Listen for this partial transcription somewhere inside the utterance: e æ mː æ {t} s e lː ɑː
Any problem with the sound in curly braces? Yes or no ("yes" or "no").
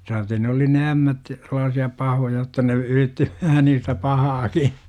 no